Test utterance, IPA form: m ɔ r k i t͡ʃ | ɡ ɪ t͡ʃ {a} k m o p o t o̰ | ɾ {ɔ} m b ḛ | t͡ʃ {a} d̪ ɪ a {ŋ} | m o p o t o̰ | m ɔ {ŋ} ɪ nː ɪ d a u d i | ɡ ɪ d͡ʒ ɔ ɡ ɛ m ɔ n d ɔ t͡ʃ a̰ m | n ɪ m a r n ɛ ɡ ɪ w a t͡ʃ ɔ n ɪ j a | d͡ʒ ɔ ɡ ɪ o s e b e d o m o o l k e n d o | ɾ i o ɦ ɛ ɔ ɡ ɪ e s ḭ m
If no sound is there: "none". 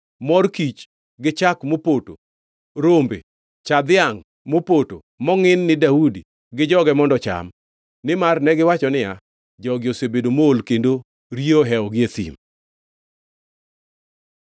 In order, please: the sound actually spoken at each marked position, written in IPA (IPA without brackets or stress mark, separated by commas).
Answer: a, o, a, ŋ, ŋ